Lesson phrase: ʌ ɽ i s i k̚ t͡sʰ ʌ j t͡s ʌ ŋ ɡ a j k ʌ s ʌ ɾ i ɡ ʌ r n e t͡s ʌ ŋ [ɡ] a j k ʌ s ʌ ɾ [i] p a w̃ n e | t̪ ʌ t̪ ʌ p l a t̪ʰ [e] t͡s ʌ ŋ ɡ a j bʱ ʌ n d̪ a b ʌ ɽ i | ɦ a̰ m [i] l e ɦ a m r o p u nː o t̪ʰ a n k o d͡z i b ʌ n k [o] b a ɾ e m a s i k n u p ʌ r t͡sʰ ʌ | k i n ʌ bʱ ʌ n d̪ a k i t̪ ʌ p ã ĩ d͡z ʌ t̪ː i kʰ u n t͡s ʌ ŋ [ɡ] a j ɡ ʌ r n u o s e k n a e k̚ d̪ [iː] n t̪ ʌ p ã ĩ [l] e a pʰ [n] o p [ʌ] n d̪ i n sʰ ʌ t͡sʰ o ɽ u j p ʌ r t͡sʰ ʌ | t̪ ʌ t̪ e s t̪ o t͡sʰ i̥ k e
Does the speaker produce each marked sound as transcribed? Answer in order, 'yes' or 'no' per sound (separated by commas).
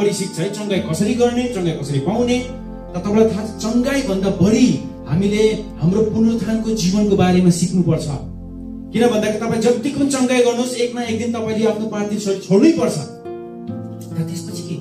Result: yes, yes, no, yes, yes, yes, no, yes, yes, no